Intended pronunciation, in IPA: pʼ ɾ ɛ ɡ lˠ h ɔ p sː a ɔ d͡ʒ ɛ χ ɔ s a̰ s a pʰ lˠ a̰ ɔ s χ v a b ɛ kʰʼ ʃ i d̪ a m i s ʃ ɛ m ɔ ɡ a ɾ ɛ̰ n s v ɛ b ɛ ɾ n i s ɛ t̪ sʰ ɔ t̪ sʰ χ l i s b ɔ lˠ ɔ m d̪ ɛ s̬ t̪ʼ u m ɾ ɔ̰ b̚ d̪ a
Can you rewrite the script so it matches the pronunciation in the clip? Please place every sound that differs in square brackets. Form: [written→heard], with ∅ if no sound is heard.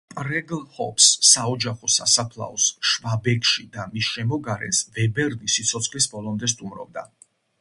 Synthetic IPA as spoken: pʼ ɾ ɛ ɡ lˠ h ɔ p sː a ɔ d͡ʒ [ɛ→a] χ ɔ s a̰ s a pʰ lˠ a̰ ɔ s [χ→ʃ] v a b ɛ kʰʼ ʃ i d̪ a m i s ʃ ɛ m ɔ ɡ a ɾ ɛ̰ n s v ɛ b ɛ ɾ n i s [ɛ→i] t̪ sʰ ɔ t̪ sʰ χ l i s b ɔ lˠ ɔ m d̪ ɛ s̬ t̪ʼ u m ɾ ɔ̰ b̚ d̪ a

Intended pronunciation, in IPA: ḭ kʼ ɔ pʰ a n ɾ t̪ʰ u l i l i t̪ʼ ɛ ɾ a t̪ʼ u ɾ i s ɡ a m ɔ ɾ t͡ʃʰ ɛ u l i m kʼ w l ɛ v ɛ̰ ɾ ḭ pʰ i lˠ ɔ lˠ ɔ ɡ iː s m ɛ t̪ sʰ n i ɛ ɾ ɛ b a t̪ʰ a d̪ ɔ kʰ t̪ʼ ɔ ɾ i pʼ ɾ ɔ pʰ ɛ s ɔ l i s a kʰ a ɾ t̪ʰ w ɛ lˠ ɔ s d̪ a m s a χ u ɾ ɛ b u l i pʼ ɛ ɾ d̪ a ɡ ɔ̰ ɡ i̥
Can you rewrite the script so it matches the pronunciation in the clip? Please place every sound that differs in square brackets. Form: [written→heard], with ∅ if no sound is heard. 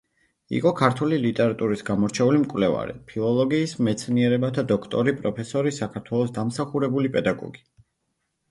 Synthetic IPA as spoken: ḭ [kʼ→qʼ] ɔ [pʰ→kʰ] a [n→∅] ɾ t̪ʰ u l i l i t̪ʼ ɛ ɾ a t̪ʼ u ɾ i s ɡ a m ɔ ɾ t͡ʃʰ ɛ u l i m kʼ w l ɛ v [ɛ̰→a̰] ɾ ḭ pʰ i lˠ ɔ lˠ ɔ ɡ iː s m ɛ t̪ sʰ n i ɛ ɾ ɛ b a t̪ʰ a d̪ ɔ kʰ t̪ʼ ɔ ɾ i pʼ ɾ ɔ pʰ ɛ s ɔ [l→ɾ] i s a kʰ a ɾ t̪ʰ w ɛ lˠ ɔ s d̪ a m s a χ u ɾ ɛ b u l i pʼ ɛ [ɾ→∅] d̪ a ɡ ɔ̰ ɡ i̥

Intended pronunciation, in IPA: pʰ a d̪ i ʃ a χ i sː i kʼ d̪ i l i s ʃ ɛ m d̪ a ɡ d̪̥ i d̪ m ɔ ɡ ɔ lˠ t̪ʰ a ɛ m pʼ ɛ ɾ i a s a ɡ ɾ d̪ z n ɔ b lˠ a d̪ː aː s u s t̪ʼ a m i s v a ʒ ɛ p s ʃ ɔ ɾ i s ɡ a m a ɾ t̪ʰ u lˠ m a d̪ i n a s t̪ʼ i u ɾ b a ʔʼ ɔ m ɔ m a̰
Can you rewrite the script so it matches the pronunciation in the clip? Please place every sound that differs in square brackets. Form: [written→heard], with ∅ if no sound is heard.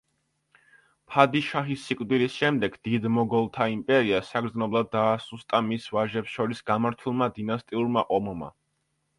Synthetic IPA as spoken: pʰ a d̪ i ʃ a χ i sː i kʼ d̪ i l i s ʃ ɛ m d̪ [a→ɛ] ɡ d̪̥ i d̪ m ɔ ɡ ɔ lˠ t̪ʰ a [ɛ→i] m pʼ ɛ ɾ i a s a ɡ ɾ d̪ z n ɔ b lˠ a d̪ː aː s u s t̪ʼ a m i s v a ʒ ɛ p s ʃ ɔ ɾ i s ɡ a m a ɾ t̪ʰ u lˠ m a d̪ i n a s t̪ʼ i u ɾ [b→m] a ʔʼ ɔ m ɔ m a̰

